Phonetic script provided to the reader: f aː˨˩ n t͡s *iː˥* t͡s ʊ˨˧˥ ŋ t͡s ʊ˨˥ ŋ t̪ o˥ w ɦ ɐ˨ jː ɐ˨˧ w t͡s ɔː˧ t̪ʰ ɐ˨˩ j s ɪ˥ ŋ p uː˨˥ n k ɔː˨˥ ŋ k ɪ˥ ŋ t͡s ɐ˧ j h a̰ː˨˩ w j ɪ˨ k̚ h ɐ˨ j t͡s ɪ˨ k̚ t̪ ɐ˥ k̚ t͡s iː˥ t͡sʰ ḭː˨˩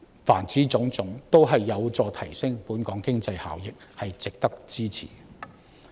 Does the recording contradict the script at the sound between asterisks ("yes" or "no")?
yes